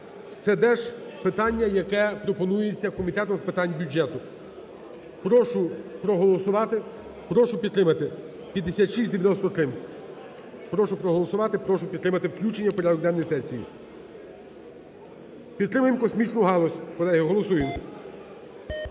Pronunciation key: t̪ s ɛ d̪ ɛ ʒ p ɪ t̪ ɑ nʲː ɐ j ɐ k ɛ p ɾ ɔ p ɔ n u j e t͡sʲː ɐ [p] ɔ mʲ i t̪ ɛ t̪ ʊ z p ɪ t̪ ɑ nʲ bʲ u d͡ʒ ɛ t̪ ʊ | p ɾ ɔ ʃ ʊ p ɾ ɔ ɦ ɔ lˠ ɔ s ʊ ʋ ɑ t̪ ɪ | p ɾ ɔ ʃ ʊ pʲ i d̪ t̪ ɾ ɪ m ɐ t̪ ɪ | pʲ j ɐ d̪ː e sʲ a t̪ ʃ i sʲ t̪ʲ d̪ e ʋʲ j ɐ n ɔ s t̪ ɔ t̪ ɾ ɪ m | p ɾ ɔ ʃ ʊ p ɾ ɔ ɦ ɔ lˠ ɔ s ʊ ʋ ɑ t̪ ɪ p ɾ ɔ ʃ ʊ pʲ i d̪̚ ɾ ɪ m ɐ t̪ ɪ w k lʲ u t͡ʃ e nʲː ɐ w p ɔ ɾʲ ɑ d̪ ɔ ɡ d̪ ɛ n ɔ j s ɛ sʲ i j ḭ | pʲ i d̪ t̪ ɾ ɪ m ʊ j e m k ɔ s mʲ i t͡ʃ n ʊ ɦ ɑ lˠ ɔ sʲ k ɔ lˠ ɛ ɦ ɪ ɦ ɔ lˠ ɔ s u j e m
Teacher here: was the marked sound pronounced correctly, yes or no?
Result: no